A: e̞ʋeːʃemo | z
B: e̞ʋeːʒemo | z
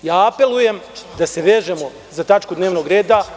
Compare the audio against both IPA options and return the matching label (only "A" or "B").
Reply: B